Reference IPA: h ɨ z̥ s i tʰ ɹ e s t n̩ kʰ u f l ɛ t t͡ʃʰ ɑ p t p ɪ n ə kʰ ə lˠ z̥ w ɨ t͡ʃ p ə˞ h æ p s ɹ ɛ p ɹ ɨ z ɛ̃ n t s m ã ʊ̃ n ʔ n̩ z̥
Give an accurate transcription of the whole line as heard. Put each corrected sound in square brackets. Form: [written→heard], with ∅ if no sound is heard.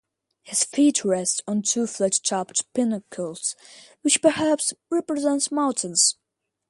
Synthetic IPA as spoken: h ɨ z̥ [s→f] i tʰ ɹ [e→ɛ] s t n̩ [kʰ→tʰ] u f l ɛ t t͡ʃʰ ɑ p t p ɪ n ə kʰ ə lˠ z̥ w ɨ t͡ʃ p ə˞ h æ p s ɹ ɛ p ɹ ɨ z ɛ̃ n t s m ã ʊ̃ n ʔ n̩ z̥

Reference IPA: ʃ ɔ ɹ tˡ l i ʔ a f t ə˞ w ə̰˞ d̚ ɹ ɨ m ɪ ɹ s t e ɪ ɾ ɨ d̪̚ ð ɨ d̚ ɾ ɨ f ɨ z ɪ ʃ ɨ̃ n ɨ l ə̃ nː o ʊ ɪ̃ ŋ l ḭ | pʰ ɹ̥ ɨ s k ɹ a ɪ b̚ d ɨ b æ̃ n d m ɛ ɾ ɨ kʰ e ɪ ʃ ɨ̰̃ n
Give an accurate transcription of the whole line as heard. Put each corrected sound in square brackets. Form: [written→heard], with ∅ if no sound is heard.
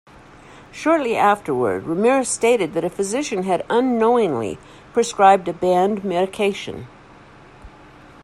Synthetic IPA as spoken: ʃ ɔ ɹ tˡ l i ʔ [a→æ] f t ə˞ w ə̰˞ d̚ ɹ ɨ m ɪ ɹ s t e ɪ ɾ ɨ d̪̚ ð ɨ [d̚→∅] ɾ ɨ f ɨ z ɪ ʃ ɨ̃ n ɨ [l→ɾ] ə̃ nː o ʊ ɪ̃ ŋ l ḭ | pʰ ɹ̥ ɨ s k ɹ a ɪ b̚ d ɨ b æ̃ n d m ɛ ɾ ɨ kʰ e ɪ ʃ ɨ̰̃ n

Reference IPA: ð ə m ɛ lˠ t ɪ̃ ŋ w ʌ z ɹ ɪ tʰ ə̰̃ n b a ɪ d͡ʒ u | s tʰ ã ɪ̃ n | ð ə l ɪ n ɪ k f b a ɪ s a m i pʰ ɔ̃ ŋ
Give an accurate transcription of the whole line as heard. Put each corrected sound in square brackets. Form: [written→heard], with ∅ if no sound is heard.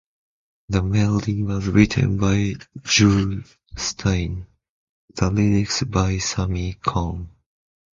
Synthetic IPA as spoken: ð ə m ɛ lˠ [t→d] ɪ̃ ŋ w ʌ z ɹ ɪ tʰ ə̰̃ n b a ɪ d͡ʒ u | s tʰ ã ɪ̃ n | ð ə l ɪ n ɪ k [f→s] b a ɪ s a m i [pʰ→kʰ] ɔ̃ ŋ

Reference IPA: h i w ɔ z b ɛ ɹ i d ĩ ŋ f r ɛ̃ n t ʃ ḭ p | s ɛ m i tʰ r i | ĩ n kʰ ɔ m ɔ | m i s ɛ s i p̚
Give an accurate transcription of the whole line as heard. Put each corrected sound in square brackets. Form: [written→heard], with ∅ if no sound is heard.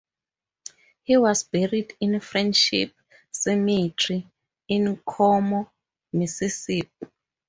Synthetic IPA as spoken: h i w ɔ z b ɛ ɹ i d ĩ [ŋ→n] f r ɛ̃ n [t→d] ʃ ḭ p | s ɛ m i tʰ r i | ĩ n kʰ ɔ m ɔ | m i s [ɛ→i] s i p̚

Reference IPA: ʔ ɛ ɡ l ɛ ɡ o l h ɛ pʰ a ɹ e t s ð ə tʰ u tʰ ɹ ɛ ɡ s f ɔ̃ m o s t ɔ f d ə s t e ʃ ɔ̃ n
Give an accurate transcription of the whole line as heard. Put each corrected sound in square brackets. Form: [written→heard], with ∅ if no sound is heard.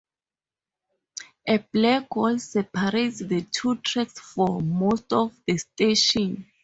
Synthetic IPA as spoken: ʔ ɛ [ɡ→b] l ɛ ɡ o l [h→s] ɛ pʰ a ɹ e t s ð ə tʰ u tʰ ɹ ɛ [ɡ→k] s f [ɔ̃→ɔ] m o s t ɔ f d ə s t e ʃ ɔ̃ n

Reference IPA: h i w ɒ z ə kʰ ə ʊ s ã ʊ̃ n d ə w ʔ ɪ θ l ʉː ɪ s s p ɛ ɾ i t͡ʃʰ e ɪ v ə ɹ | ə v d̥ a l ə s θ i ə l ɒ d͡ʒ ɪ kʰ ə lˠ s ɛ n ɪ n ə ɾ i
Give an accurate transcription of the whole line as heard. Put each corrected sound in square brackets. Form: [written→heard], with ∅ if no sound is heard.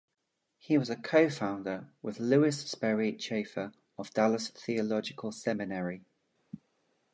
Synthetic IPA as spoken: h i w ɒ z ə kʰ ə ʊ [s→f] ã ʊ̃ n d ə w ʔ ɪ [θ→ð] l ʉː ɪ s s p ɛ [ɾ→ɹ] i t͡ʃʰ e ɪ [v→f] ə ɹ | ə v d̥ a l ə s θ i ə l ɒ d͡ʒ ɪ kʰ ə lˠ s ɛ [n→m] ɪ n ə [ɾ→ɹ] i

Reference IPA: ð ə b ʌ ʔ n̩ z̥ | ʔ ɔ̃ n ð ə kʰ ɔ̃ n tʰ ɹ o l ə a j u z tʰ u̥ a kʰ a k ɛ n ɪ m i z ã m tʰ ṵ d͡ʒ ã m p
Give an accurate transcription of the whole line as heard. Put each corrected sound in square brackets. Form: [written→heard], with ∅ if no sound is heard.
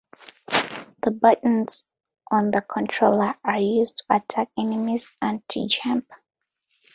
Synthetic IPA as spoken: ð ə b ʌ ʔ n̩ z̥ | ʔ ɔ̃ n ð ə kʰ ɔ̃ n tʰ ɹ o l ə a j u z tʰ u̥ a [kʰ→tʰ] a k ɛ n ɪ m i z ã [m→n] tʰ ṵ d͡ʒ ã m p

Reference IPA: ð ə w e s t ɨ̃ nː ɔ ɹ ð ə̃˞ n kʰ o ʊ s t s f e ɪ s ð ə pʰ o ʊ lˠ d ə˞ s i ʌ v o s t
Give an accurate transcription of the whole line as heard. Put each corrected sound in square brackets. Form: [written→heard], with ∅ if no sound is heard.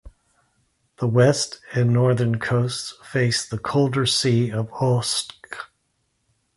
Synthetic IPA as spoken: ð ə w [e→ɛ] s t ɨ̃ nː ɔ ɹ ð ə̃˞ n kʰ o ʊ s t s f e ɪ s ð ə [pʰ→kʰ] o ʊ lˠ d ə˞ s i ʌ v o s [t→k]

